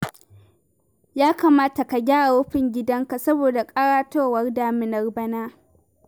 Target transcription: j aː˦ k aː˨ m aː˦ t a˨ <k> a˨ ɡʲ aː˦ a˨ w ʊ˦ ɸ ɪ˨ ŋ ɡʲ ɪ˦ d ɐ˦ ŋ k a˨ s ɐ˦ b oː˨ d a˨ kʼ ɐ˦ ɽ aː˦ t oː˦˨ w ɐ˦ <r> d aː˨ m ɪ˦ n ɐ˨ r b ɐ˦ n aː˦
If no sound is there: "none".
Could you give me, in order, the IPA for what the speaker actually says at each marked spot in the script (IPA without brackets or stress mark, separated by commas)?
k, r